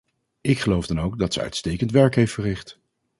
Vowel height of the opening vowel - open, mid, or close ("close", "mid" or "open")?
close